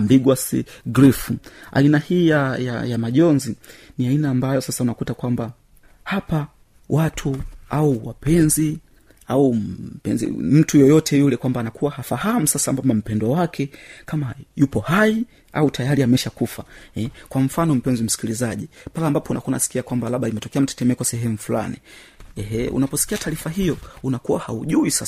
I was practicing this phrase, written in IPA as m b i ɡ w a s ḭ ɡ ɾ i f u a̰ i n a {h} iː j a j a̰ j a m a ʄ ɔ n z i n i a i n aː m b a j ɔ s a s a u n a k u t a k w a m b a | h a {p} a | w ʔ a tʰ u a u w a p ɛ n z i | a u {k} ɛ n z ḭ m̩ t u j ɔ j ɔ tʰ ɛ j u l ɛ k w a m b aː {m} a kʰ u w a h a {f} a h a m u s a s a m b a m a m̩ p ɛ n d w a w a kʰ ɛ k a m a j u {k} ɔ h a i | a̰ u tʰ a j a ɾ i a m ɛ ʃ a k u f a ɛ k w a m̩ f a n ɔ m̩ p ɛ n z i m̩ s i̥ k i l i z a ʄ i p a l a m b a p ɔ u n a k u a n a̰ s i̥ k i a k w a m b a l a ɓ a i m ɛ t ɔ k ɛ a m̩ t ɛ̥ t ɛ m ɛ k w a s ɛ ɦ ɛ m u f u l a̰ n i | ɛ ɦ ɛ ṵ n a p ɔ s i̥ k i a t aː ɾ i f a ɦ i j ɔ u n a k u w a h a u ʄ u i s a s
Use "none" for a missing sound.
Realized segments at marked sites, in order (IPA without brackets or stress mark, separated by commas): h, p, p, n, f, p